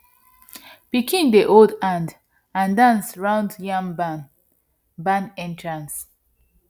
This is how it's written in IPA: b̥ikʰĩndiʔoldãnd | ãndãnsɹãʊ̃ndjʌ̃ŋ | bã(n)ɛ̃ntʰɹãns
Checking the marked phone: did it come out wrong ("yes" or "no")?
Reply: no